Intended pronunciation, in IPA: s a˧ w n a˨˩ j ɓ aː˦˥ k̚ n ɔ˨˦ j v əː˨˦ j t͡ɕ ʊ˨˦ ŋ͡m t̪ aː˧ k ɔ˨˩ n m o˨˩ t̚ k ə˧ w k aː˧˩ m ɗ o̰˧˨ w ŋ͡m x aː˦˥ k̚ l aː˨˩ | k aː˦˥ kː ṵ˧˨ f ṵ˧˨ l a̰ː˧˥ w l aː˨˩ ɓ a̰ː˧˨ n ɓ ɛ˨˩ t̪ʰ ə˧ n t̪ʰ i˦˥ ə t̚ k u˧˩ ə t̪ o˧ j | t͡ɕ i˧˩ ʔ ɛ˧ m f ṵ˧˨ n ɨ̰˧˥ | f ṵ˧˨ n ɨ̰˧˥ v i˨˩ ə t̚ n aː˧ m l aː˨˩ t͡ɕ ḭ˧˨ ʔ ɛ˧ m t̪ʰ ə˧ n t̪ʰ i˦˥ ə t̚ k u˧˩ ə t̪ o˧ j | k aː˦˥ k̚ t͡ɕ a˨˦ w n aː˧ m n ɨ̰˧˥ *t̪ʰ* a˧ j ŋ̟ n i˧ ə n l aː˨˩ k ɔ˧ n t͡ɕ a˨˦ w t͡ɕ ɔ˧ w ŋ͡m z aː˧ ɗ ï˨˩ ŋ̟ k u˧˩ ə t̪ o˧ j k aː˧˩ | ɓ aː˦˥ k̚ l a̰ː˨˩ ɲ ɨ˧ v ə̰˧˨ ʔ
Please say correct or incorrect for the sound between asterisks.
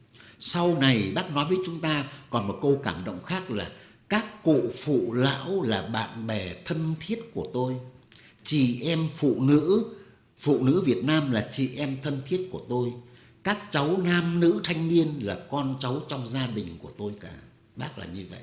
correct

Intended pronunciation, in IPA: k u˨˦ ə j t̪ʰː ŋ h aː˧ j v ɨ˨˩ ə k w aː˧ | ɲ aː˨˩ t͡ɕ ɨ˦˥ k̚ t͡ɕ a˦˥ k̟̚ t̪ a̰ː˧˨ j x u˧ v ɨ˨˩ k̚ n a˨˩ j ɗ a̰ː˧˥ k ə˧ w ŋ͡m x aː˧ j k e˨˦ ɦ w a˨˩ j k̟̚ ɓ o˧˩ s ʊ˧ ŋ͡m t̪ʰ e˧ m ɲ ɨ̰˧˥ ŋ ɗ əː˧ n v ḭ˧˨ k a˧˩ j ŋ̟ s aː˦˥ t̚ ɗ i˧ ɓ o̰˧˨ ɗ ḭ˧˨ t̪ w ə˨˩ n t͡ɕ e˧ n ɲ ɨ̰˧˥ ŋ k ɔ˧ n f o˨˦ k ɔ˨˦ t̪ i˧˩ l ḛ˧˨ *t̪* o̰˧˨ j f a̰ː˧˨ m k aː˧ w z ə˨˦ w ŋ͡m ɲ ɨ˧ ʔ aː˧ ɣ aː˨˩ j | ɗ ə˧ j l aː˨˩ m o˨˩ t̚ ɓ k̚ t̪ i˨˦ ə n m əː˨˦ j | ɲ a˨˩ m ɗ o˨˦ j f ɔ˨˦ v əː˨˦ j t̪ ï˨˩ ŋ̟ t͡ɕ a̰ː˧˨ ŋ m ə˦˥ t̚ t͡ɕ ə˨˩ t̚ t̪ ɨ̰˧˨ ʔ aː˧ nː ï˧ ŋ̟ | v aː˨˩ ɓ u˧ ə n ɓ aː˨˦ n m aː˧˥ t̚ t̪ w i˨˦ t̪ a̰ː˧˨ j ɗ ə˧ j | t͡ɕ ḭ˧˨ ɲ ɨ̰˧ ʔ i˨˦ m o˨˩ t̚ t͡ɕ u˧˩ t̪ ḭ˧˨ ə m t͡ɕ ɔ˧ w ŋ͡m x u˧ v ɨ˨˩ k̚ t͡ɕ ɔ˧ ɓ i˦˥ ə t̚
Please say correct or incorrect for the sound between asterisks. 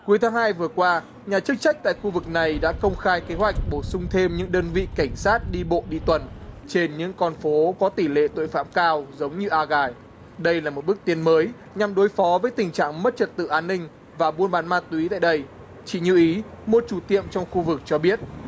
correct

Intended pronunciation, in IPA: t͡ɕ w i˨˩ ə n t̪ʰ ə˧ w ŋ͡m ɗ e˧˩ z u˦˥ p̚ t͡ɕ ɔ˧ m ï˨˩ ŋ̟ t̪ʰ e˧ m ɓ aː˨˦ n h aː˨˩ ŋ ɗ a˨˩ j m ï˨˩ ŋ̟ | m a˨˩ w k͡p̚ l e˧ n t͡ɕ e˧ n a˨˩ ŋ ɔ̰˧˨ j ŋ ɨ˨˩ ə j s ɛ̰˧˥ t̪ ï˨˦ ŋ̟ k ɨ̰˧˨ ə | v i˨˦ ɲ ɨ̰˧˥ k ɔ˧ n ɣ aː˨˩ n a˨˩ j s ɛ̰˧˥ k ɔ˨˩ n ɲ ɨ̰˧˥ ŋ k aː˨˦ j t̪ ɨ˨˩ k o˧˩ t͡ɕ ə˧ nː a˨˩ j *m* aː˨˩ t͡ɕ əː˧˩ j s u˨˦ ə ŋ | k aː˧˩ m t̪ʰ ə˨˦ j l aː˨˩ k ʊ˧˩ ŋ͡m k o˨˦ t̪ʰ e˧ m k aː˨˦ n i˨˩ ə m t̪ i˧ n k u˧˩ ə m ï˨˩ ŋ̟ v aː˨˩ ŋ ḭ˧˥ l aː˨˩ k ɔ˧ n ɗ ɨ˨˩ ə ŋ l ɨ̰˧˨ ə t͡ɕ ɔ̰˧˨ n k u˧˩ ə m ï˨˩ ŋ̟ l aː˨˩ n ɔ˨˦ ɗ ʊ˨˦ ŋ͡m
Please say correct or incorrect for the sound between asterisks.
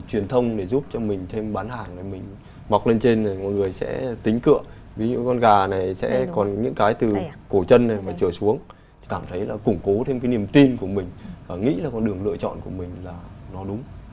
correct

